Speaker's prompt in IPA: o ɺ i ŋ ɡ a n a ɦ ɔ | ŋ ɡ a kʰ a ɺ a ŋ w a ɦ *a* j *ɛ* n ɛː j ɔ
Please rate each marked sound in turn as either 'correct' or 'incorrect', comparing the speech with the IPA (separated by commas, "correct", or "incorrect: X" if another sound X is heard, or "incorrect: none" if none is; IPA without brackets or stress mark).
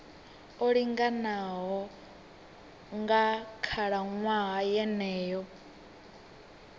correct, correct